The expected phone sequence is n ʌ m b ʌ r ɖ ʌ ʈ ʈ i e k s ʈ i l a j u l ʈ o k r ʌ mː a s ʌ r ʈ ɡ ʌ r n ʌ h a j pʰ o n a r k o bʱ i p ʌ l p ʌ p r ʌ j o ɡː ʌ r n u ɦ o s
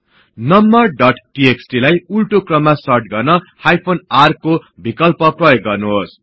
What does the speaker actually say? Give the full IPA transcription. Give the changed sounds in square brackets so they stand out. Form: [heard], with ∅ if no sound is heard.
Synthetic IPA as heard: n ʌ m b ʌ r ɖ ʌ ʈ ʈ i e k s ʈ i l a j u l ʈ o k r ʌ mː a s ʌ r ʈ ɡ ʌ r n ʌ h a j pʰ o n a r k o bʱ i [k] ʌ l p ʌ p r ʌ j o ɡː ʌ r n u ɦ o s